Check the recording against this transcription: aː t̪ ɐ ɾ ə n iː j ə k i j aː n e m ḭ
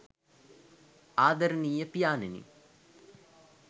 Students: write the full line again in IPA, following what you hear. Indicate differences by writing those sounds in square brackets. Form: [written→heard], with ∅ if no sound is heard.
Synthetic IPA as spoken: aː [t̪→d̪] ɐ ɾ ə n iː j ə [k→p] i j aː n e [m→n] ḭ